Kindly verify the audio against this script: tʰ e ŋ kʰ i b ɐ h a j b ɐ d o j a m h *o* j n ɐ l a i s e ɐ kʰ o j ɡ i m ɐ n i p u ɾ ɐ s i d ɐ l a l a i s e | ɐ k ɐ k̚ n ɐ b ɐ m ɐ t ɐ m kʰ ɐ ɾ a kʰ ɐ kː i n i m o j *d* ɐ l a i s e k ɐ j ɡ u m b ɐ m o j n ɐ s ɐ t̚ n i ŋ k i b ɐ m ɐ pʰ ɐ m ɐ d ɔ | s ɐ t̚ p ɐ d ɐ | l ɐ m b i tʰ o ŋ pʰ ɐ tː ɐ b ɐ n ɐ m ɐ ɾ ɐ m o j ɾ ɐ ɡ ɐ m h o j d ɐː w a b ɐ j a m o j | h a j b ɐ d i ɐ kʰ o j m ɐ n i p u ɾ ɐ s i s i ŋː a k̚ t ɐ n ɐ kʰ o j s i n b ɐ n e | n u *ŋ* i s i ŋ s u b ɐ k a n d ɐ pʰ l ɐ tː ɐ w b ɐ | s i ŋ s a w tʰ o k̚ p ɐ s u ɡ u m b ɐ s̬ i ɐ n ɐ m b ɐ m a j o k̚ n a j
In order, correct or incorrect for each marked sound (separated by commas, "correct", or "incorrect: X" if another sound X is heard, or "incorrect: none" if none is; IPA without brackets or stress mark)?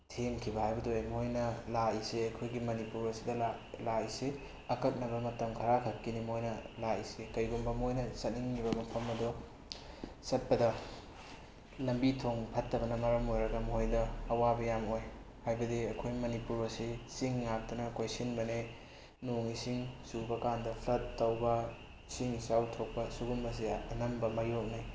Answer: correct, incorrect: n, correct